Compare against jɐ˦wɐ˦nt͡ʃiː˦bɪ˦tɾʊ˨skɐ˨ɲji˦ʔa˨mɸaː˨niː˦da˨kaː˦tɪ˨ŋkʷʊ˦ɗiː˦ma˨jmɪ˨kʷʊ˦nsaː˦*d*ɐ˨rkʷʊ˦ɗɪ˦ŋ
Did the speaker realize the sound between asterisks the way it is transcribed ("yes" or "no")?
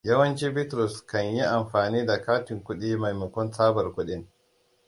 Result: no